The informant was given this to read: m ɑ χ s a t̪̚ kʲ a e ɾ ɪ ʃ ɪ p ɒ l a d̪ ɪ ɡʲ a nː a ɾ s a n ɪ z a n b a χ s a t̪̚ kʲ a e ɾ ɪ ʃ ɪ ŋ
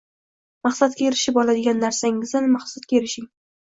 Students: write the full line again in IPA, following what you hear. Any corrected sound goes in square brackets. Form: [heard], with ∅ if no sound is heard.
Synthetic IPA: m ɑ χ s a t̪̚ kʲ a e ɾ ɪ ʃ ɪ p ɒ l a d̪ ɪ ɡʲ a nː a ɾ s a [ŋ] ɪ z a n [m] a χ s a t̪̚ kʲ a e ɾ ɪ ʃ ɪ ŋ

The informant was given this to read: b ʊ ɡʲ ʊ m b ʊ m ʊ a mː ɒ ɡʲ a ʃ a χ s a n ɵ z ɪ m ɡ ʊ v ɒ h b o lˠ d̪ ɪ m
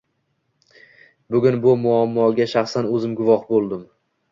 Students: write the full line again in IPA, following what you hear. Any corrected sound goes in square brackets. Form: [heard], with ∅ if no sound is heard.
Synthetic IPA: b ʊ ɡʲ ʊ [n] b ʊ m ʊ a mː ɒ ɡʲ a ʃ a χ s a n ɵ z ɪ m ɡ ʊ v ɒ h b o lˠ d̪ ɪ m

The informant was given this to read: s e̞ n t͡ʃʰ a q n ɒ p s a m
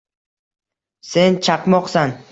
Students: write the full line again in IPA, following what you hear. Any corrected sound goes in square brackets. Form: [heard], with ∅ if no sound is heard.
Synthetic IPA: s e̞ n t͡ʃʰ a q [m] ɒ [q] s a [n]

